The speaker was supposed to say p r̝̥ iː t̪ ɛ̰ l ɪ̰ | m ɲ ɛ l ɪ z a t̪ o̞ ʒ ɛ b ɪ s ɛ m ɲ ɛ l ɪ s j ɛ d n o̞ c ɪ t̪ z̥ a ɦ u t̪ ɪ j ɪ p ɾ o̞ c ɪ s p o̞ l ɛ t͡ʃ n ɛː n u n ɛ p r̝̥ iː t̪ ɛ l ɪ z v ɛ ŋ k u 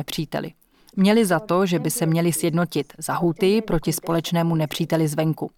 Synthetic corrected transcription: p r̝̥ iː t̪ ɛ̰ l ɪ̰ | m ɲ ɛ l ɪ z a t̪ o̞ ʒ ɛ b ɪ s ɛ m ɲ ɛ l ɪ s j ɛ d n o̞ c ɪ t̪ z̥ a ɦ u t̪ ɪ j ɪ p ɾ o̞ c ɪ s p o̞ l ɛ t͡ʃ n ɛː m u n ɛ p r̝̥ iː t̪ ɛ l ɪ z v ɛ ŋ k u